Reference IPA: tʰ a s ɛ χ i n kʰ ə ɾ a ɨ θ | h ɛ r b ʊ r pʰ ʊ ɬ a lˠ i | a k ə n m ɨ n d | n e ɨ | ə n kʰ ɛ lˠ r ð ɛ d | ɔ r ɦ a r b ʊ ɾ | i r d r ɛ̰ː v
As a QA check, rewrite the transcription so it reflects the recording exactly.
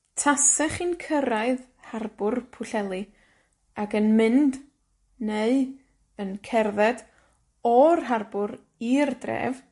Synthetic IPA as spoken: tʰ a s ɛ χ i n kʰ ə ɾ a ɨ ð | h a r b ʊ r pʰ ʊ ɬ ɛ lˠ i | a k ə n m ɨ n d | n e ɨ | ə n kʰ ɛ r ð ɛ d | ɔ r ɦ a r b ʊ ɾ | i r d r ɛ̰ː v